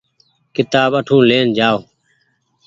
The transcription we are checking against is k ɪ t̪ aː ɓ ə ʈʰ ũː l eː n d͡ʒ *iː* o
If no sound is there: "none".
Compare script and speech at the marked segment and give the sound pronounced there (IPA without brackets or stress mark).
aː